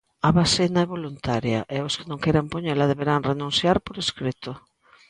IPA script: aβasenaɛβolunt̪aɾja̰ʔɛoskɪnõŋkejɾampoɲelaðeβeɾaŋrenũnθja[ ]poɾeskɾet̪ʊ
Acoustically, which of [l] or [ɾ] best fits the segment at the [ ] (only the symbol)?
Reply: ɾ